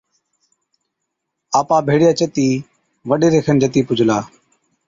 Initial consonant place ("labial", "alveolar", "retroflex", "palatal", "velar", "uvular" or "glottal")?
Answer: labial